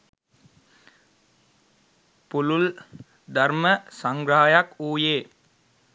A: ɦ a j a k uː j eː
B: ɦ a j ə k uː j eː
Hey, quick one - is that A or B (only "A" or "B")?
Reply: A